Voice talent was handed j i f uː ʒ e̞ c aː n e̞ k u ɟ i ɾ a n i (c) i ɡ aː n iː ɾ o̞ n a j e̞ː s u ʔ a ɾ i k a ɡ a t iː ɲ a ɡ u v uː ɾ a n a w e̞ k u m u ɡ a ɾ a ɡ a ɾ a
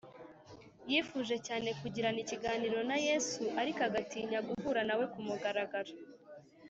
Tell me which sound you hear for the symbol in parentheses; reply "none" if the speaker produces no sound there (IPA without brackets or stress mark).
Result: c